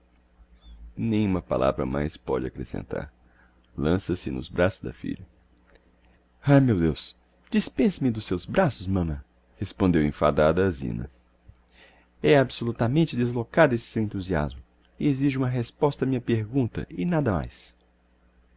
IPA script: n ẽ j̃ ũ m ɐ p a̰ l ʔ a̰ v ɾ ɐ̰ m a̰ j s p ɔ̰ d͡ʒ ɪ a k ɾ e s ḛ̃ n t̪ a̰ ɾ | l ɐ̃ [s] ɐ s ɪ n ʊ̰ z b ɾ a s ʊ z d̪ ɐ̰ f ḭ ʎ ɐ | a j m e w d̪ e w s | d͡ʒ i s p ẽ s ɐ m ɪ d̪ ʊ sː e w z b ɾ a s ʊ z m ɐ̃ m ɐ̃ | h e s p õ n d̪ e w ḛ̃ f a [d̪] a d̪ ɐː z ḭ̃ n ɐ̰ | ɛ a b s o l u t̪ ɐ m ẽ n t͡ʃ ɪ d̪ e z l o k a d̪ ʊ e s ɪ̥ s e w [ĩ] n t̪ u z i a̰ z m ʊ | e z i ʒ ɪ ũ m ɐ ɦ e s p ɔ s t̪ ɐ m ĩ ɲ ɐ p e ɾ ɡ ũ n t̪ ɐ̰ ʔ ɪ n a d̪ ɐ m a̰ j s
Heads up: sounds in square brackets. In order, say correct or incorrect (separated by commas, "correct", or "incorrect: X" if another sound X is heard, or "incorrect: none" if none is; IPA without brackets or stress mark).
correct, correct, incorrect: ẽ